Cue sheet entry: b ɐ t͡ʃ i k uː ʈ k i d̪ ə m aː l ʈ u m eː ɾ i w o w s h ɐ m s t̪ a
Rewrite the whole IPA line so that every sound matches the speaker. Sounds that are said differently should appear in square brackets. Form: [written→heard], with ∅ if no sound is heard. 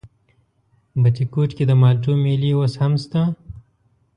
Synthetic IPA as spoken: b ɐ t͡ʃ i k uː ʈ k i d̪ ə m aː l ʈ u m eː [ɾ→l] i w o [w→∅] s h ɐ m s t̪ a